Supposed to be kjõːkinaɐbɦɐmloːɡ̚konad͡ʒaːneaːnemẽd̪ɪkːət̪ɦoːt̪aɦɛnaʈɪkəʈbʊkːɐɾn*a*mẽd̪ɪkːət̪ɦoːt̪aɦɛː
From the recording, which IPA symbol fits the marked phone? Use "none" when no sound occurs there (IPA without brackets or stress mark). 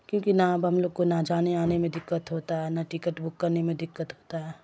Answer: e